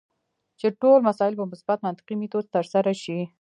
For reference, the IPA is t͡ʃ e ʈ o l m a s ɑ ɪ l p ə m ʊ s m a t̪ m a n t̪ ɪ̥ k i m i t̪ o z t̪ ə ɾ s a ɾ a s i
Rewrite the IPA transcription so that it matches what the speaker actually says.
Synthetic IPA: t͡ʃ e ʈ o l m a s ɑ ɪ l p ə m ʊ s b a t̪ m a n t̪ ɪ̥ q i m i t̪ o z t̪ ə ɾ s a ɾ a ʃ i